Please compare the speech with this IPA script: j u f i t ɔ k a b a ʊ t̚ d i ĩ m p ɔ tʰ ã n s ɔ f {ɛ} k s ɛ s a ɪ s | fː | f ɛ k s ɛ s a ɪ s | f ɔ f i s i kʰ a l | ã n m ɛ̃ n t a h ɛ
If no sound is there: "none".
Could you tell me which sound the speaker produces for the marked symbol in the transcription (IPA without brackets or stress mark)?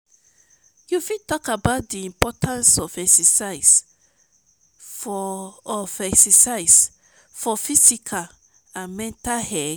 ɛ